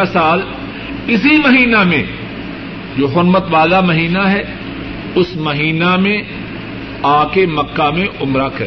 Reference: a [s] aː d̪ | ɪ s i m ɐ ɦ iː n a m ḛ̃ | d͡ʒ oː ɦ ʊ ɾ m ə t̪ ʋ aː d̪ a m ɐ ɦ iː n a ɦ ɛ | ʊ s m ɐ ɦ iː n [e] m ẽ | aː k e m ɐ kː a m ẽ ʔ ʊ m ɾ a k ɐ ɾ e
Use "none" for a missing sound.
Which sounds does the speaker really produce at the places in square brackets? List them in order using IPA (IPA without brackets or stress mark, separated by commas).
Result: s, a